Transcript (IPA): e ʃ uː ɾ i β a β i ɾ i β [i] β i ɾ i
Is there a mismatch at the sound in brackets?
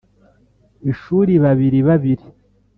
yes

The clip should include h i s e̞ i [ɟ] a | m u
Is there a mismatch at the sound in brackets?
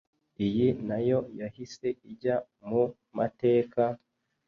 no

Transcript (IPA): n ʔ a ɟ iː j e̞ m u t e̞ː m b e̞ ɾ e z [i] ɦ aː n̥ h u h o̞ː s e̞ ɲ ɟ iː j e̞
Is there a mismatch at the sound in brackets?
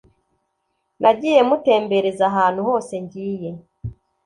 yes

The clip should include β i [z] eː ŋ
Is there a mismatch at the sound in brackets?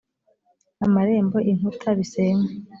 yes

